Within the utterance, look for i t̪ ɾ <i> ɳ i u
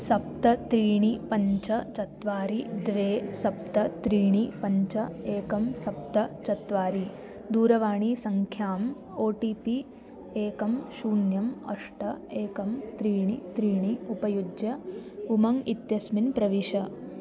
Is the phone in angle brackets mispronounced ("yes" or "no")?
yes